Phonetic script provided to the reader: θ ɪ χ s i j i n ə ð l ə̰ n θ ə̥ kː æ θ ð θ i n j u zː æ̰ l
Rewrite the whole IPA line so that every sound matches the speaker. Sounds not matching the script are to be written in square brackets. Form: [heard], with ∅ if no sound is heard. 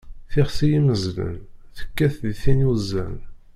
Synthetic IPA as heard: θ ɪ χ s i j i [m] ə [z] l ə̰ n θ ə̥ kː æ θ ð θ i n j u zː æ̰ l